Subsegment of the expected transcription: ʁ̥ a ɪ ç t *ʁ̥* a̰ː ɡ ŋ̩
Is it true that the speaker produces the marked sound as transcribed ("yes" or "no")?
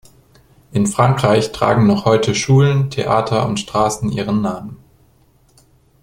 yes